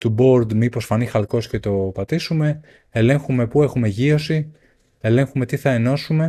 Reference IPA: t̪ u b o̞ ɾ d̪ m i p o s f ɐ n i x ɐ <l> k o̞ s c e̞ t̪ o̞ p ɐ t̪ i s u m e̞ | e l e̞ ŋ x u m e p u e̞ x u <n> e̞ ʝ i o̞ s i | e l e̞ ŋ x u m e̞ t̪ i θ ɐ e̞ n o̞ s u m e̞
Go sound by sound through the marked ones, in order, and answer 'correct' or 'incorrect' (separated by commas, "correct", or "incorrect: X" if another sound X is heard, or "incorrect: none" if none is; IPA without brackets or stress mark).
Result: correct, incorrect: m